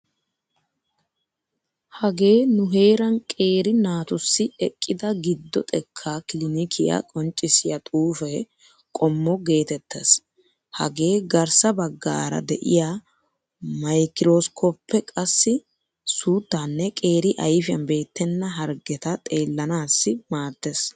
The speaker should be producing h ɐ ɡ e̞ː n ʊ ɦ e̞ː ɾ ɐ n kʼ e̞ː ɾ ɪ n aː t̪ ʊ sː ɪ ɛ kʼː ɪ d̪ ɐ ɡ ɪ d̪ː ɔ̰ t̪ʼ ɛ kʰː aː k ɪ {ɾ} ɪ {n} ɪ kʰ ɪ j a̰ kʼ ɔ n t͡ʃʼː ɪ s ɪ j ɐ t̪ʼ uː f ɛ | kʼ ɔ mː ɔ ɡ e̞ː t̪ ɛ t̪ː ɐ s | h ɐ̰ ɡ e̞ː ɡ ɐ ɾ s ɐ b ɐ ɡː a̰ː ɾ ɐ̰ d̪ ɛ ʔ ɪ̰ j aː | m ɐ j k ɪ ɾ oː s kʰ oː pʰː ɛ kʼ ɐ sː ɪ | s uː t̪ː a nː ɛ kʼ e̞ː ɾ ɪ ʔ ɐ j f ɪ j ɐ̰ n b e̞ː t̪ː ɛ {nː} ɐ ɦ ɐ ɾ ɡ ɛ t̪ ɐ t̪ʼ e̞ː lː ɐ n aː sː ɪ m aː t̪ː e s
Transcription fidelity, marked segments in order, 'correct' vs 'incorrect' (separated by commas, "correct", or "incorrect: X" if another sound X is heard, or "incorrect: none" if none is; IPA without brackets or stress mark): incorrect: l, correct, correct